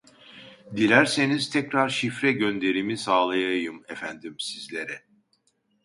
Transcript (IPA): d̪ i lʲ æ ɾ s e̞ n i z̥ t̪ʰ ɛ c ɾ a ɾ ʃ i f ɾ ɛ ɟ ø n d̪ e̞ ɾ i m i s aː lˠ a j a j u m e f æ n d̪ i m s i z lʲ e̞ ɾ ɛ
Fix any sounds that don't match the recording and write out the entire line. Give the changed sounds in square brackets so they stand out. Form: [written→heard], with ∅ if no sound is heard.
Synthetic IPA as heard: d̪ i lʲ æ ɾ s e̞ n i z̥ t̪ʰ ɛ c ɾ a ɾ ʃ i f ɾ ɛ ɟ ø n d̪ e̞ ɾ i m i s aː lˠ a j a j [u→ɯ] m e f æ n d̪ i m s i z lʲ e̞ ɾ ɛ

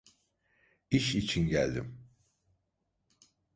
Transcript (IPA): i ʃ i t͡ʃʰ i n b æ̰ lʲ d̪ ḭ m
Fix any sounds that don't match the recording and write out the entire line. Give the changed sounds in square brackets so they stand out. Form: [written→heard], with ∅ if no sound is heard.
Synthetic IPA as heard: i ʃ i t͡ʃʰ i n [b→ɟ] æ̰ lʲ d̪ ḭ m

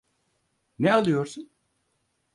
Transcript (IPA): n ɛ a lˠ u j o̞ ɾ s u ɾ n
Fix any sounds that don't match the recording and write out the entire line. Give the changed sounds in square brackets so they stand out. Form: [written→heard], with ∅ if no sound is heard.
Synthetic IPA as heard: n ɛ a lˠ [u→ɯ] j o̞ ɾ s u [ɾ→∅] n

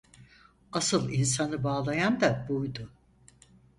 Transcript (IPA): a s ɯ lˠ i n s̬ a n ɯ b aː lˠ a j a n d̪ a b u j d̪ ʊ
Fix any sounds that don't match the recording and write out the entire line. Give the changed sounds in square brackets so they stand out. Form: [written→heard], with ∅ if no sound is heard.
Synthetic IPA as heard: a s ɯ lˠ i n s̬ a n ɯ b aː lˠ a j a n d̪ a b u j d̪ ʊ

